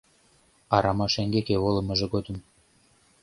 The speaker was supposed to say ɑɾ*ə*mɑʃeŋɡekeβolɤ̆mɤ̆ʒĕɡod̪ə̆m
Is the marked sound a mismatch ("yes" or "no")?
yes